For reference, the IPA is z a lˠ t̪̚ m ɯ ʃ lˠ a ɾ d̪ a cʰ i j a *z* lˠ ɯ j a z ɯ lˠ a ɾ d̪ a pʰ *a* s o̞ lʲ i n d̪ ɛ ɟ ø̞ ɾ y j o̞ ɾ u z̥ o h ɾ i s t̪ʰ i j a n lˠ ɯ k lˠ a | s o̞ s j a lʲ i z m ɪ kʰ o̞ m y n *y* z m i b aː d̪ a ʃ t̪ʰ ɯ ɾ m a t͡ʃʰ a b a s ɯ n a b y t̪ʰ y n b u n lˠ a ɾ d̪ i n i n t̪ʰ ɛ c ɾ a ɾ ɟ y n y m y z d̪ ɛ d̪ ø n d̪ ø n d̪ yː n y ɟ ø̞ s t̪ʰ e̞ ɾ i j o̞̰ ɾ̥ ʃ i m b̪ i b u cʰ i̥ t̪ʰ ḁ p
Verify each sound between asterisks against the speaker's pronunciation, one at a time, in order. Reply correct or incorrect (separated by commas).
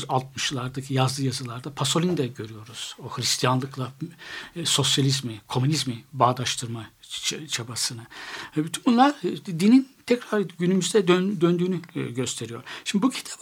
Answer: correct, correct, incorrect